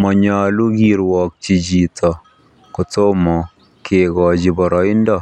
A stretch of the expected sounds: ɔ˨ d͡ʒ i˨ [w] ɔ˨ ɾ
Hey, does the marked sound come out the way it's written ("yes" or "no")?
no